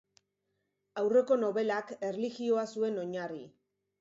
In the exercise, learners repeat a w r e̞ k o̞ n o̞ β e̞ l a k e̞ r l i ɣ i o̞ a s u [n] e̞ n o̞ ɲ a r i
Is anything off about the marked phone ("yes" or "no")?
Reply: yes